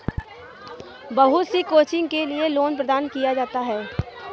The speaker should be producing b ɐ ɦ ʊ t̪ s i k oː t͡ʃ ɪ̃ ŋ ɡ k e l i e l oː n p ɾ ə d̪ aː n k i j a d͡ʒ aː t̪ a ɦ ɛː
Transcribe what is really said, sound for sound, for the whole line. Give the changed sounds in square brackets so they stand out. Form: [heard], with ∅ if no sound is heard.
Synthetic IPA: b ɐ ɦ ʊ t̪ s i k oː t͡ʃ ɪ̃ ŋ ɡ k e l i e l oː n p ɾ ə d̪ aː n k i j a d͡ʒ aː t̪ a ɦ ɛː